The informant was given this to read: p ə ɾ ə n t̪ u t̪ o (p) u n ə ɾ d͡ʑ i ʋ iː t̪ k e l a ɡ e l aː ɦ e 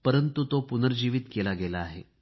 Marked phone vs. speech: correct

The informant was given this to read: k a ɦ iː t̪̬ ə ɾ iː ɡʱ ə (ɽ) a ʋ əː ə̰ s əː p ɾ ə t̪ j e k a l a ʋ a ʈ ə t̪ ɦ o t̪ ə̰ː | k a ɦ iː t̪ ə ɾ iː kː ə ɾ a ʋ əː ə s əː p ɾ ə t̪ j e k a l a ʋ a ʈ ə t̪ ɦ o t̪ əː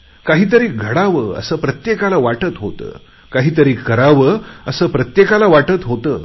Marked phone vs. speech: correct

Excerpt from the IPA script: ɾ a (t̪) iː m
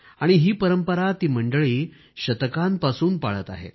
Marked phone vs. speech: correct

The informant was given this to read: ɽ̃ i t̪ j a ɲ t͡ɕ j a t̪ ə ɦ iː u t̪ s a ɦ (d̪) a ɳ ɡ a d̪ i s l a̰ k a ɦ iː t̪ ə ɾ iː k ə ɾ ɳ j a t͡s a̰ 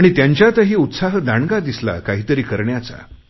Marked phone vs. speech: correct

